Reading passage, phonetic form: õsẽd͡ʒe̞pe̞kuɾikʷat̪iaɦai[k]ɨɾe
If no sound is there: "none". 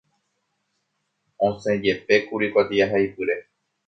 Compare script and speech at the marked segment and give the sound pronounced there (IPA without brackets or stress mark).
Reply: p